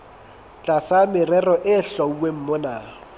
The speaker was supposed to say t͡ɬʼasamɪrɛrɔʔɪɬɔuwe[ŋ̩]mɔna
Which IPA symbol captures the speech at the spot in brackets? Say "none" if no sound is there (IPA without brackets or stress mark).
m̩